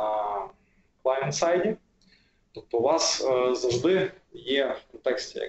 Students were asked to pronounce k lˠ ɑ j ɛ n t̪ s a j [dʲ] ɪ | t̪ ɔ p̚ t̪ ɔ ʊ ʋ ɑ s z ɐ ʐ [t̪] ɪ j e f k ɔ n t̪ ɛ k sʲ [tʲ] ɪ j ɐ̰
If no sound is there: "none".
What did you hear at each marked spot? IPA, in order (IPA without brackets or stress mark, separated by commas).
dʲ, d̪, tʲ